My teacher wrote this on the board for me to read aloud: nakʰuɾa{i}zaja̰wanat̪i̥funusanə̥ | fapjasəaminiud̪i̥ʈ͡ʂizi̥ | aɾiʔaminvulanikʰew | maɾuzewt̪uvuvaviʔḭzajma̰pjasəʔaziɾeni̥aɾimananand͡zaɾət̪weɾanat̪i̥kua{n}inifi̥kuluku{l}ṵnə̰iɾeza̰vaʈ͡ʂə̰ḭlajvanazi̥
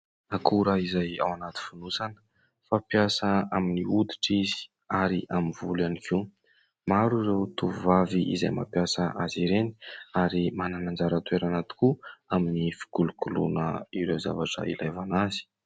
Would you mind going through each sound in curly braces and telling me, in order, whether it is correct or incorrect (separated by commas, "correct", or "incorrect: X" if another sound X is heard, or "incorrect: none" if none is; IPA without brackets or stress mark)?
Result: correct, incorrect: m, correct